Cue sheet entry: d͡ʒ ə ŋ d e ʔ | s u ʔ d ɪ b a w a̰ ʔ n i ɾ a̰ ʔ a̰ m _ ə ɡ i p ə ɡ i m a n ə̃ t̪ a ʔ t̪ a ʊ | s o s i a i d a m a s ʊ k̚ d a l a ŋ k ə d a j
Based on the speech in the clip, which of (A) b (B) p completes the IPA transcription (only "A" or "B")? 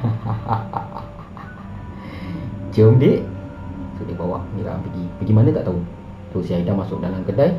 B